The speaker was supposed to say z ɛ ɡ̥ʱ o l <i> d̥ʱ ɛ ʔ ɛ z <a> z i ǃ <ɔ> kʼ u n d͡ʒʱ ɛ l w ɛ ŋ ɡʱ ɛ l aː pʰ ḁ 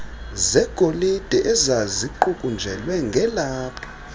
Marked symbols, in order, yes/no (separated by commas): yes, yes, no